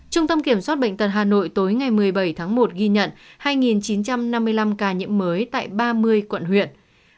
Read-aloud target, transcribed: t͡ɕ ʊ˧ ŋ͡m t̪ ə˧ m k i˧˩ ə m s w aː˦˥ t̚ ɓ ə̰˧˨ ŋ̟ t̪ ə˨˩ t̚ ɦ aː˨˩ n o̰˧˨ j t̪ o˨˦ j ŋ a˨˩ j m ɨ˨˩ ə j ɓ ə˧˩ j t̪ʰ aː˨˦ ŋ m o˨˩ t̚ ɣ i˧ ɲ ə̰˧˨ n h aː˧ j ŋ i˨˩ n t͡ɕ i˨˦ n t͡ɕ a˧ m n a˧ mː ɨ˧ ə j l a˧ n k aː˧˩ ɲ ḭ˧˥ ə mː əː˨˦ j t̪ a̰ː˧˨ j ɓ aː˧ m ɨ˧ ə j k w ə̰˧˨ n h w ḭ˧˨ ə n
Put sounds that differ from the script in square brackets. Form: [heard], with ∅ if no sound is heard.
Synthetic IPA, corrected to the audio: t͡ɕ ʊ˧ ŋ͡m t̪ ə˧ m k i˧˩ ə m s w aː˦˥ t̚ ɓ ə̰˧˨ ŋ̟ t̪ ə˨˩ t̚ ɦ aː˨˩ n o̰˧˨ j t̪ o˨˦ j ŋ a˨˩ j m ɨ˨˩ ə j ɓ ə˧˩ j t̪ʰ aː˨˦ ŋ m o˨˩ t̚ ɣ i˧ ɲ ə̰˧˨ n h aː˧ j ŋ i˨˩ n t͡ɕ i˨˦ n t͡ɕ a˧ m n a˧ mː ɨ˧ ə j l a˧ [m] k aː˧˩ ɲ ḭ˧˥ ə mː əː˨˦ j t̪ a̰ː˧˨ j ɓ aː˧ m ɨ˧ ə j k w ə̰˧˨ n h w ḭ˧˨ ə n